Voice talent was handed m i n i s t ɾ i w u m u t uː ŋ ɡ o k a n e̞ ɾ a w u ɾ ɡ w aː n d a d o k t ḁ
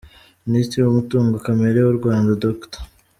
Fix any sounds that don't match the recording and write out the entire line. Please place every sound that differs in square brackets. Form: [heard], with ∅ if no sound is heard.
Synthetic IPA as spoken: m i n i s t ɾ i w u m u t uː ŋ ɡ o k a [m] e̞ ɾ [e] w u ɾ ɡ w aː n d a d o k t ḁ

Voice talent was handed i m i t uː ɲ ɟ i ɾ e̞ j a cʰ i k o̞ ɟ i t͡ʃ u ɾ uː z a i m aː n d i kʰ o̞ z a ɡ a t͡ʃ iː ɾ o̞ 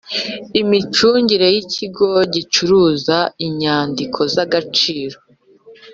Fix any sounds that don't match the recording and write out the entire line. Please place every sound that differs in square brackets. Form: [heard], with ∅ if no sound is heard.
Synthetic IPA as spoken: i m i [t͡ʃ] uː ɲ ɟ i ɾ e̞ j [i] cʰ i [ɡ] o̞ ɟ i t͡ʃ u ɾ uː z a i [ɲ] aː n d i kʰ o̞ z a ɡ a t͡ʃ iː ɾ o̞

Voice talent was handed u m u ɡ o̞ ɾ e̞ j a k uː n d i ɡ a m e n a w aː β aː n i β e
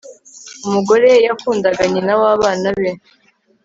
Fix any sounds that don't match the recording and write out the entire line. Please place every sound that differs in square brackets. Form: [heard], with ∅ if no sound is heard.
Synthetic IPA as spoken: u m u ɡ o̞ ɾ e̞ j a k uː n d [a] ɡ a [ɲ] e n a w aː β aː n [a] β e

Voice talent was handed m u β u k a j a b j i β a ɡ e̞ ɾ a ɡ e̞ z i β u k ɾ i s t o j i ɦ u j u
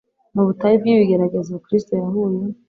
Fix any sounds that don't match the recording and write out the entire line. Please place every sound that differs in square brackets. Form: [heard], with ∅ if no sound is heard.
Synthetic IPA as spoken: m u β u [t] a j [i] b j i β [i] ɡ e̞ ɾ a ɡ e̞ z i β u k ɾ i s t o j [a] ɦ u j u

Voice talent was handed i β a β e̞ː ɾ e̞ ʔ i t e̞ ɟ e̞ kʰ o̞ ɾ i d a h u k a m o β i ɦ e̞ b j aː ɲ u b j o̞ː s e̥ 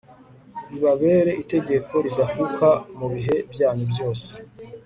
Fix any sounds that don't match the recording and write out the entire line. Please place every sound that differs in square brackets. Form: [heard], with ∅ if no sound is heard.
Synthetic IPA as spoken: i β a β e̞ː ɾ e̞ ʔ i t e̞ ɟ e̞ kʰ o̞ ɾ i d a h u k a m [u] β i ɦ e̞ b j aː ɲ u b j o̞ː s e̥

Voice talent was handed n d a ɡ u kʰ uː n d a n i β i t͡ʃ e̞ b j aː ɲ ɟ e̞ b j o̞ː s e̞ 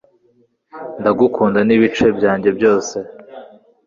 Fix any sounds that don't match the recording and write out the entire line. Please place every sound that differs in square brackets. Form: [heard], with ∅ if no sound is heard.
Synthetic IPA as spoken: n d a ɡ u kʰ uː n d a n i β i t͡ʃ e̞ b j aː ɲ ɟ e̞ b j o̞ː s e̞

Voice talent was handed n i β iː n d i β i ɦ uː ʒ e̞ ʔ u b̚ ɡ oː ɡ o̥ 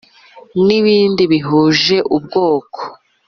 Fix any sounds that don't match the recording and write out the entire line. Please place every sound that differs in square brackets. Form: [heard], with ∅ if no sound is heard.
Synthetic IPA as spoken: n i β iː n d i β i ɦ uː ʒ e̞ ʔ u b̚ ɡ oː [k] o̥

